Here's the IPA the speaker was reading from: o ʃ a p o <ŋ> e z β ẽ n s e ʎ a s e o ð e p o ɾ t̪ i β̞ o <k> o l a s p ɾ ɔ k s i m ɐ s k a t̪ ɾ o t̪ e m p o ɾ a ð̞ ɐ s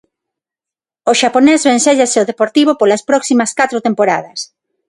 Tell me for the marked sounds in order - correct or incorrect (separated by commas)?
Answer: incorrect, incorrect